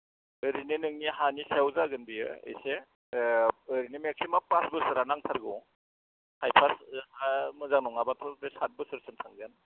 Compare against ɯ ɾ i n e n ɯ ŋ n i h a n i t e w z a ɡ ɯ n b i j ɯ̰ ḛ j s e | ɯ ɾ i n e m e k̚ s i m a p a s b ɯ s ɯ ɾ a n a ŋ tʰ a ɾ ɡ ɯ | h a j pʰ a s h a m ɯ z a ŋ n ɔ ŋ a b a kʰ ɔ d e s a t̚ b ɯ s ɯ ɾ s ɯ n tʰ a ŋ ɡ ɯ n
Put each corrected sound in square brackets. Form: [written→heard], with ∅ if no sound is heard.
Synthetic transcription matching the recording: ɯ ɾ i n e n ɯ ŋ n i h a n i [t→s] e w z a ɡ ɯ n b i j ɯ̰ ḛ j s e | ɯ ɾ i n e m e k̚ s i m a p a s b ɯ s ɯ ɾ a n a ŋ tʰ a ɾ ɡ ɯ | h a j pʰ a s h a m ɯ z a ŋ n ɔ ŋ a b a [kʰ→tʰ] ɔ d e s a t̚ b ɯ s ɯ ɾ s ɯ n tʰ a ŋ ɡ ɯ n